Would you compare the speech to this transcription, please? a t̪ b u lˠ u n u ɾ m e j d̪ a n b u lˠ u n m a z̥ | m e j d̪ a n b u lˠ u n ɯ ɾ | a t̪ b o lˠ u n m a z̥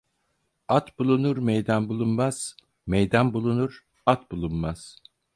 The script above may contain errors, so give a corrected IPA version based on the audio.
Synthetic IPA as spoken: a t̪ b u lˠ u n u ɾ m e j d̪ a n b u lˠ u n m a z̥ | m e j d̪ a n b u lˠ u n u ɾ | a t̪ b u lˠ u n m a z̥